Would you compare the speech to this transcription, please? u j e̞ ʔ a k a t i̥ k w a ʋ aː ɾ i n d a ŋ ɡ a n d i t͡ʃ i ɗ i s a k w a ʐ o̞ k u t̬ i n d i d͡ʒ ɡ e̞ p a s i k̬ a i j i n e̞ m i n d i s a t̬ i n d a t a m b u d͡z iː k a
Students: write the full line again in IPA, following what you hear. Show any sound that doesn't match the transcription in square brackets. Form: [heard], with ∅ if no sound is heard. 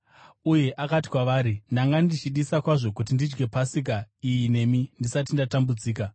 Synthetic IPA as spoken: u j e̞ ʔ a k a t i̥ k w a ʋ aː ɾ i n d a ŋ ɡ a n d i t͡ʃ i ɗ i s a k w a ʐ o̞ k u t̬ i n d i d͡ʒ ɡ e̞ p a s i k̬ a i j i n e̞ m i n d i s a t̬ i n d a t a m b u d͡z iː k a